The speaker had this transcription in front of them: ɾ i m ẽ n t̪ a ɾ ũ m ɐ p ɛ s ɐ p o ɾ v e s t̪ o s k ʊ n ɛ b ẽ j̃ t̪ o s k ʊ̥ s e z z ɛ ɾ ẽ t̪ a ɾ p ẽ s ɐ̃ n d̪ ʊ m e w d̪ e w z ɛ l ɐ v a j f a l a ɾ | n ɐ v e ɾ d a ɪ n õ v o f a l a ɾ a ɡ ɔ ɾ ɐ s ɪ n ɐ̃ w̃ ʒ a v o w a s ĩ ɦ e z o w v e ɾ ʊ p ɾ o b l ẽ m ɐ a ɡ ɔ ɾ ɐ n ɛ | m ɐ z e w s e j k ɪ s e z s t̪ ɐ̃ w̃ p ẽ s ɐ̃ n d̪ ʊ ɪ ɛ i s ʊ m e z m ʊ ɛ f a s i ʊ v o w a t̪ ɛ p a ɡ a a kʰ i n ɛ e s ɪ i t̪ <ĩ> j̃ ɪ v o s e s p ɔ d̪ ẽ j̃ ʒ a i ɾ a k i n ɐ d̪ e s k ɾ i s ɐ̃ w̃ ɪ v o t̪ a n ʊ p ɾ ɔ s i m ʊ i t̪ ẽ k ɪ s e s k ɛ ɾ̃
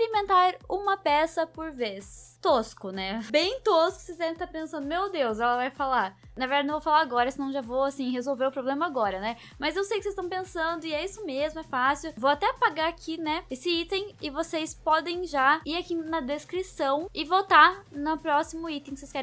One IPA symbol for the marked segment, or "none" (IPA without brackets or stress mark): ẽ